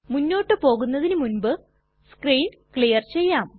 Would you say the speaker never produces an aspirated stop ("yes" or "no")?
yes